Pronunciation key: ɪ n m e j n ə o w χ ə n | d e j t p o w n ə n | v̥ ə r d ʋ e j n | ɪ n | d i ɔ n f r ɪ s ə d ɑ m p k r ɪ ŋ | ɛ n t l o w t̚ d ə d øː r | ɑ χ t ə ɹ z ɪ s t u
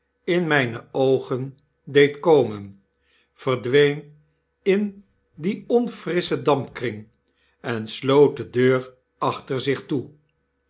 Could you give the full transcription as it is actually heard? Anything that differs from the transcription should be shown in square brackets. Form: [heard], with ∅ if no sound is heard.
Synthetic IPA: ɪ n m [ɛ] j n ə o w χ ə n | d e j t [k] o w [m] ə n | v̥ ə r d ʋ e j n | ɪ n | d i ɔ n f r ɪ s ə d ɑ m p k r ɪ ŋ | ɛ n [s] l o w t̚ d ə d øː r | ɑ χ t ə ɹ z ɪ [χ] t u